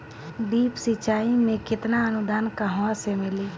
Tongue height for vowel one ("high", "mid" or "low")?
high